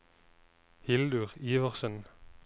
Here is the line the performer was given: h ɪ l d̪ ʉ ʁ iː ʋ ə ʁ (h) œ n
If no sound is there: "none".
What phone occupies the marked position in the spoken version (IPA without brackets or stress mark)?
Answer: s